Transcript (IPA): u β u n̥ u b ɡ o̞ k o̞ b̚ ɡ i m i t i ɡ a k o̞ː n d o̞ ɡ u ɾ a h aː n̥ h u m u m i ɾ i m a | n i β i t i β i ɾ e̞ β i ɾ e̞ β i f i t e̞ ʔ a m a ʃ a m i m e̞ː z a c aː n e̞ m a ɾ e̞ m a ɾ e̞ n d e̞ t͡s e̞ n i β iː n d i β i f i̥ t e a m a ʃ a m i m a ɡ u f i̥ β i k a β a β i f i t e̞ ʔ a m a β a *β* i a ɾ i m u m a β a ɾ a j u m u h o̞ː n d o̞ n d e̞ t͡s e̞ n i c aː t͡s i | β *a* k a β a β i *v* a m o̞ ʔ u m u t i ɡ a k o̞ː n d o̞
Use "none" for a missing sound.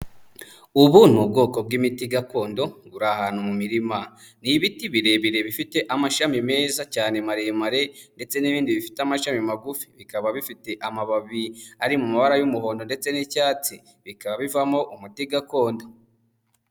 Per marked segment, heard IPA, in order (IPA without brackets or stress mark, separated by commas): β, i, v